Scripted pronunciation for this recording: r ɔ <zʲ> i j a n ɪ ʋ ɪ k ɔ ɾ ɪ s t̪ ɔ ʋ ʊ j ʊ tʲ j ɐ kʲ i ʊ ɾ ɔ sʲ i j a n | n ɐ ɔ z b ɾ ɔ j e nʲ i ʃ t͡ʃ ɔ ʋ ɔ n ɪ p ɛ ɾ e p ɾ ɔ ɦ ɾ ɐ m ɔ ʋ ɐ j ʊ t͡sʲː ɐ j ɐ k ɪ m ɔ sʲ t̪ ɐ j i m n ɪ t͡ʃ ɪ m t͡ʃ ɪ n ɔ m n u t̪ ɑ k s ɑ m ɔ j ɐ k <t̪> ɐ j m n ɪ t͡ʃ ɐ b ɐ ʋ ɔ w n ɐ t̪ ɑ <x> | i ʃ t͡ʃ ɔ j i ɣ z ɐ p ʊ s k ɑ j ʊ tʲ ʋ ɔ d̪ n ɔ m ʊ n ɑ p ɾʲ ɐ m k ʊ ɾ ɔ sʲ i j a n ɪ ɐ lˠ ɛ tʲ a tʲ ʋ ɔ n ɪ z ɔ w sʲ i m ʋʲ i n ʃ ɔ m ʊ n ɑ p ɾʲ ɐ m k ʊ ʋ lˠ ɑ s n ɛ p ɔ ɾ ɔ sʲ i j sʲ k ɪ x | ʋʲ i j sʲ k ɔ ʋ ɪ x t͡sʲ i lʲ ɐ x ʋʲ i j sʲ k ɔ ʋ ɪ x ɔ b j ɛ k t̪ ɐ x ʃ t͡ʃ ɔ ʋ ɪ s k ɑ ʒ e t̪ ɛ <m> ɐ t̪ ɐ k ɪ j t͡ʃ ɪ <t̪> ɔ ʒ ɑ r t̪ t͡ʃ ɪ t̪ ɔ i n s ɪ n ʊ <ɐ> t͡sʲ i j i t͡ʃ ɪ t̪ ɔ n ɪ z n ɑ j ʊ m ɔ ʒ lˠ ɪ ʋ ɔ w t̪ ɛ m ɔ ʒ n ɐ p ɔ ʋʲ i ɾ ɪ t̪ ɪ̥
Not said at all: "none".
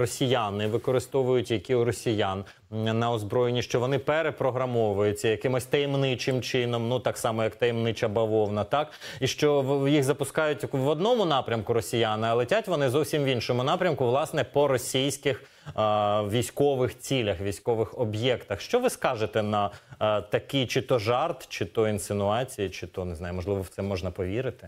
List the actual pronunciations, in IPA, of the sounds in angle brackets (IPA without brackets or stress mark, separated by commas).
sʲ, t̪, k, n, t̪, ɑ